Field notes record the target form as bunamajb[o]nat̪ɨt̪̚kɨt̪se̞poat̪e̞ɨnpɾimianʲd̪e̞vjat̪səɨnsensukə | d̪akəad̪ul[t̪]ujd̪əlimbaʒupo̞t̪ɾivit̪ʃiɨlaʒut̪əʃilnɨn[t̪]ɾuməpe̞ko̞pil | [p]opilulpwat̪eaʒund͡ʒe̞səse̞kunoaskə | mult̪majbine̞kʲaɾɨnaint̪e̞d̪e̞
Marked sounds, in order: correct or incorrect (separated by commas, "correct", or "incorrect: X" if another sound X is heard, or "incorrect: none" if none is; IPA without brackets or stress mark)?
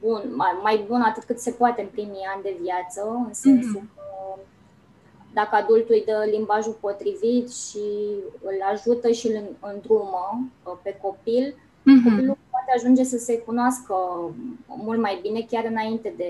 incorrect: u, correct, incorrect: d̪, incorrect: k